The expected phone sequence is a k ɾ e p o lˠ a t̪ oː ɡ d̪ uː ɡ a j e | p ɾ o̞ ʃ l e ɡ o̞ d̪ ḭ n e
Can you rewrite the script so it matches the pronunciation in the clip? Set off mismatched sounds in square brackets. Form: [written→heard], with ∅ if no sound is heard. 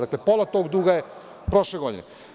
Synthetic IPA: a k [ɾ→l] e p o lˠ a t̪ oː ɡ d̪ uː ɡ a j e | p ɾ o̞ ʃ l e ɡ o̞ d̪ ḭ n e